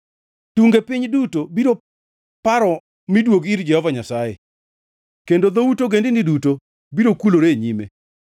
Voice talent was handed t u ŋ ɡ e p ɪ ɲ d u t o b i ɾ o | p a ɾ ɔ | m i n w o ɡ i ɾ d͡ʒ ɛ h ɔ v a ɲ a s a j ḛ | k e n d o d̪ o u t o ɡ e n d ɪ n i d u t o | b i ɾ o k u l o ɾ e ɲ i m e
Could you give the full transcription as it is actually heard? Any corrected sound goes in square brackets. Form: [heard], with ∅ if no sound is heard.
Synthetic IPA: t u ŋ ɡ e p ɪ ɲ d u t o b i ɾ o | p a ɾ ɔ | m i [d] w o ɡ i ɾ d͡ʒ ɛ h ɔ v a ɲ a s a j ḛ | k e n d o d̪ o u t o ɡ e n d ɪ n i d u t o | b i ɾ o k u l o ɾ e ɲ i m e